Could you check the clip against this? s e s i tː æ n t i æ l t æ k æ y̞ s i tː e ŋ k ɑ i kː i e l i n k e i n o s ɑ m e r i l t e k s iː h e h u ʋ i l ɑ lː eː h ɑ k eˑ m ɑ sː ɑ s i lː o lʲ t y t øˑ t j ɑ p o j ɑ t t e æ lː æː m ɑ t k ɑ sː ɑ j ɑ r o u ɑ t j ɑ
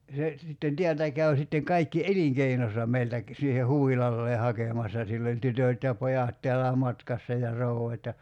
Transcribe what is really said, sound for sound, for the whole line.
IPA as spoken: s e s i tː e n t i æ l t æ k æ y̞ s i tː e ŋ k ɑ i kː i e l i ŋ k e i n o s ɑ m e i l t æ k s iː h e h u ʋ i l ɑ lː eː h ɑ k eˑ m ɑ sː ɑ s i lː o lʲ t y t øˑ t j ɑ p o j ɑ t t e æ lː æː m ɑ t k ɑ sː ɑ j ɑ r o u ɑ t j ɑ

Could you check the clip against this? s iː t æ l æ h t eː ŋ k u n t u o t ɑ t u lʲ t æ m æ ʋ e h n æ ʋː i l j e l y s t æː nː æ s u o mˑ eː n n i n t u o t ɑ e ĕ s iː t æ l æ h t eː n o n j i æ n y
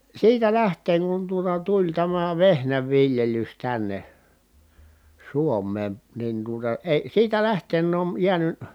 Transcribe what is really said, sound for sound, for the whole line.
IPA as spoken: s iː t æ l æ h t eː ŋ k u n t u o t ɑ t u lʲ t æ m æ ʋ e h n æ ʋː i l j e l y s t æ nː e s u o mˑ eː n n i n t u o t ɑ e ĭ s iː t æ l æ h t eː n o n j i æ n y

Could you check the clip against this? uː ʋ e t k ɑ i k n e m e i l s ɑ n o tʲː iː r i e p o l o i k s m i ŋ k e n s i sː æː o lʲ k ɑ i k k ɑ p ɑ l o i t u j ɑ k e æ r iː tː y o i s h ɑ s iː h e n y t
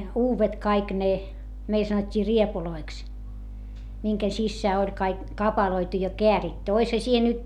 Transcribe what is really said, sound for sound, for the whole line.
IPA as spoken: uː ʋ e t k ɑ i k n e m e i l s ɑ n o tʲː iː r i e p u l o i k s m i ŋ k e n s i sː æː o lʲ k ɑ i k k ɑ p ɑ l o i t u j ɑ k e æ r i tː y o i s h ɑ s iː h e n y t

